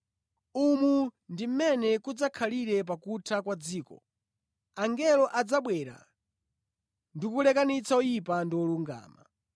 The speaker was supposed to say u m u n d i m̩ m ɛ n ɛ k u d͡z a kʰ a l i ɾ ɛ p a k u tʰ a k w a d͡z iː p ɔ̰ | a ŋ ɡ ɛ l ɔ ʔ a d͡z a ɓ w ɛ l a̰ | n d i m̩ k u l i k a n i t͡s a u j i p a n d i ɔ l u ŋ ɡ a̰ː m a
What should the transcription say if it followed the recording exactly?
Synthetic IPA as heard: u m u n d i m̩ m ɛ n ɛ k u d͡z a kʰ a l i ɾ ɛ p a k u tʰ a k w a d͡z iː k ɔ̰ | a ŋ ɡ ɛ l ɔ ʔ a d͡z a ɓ w ɛ ɾ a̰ | n d i k u l ɛ k a n i t͡s a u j i p a n d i ɔ l u ŋ ɡ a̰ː m a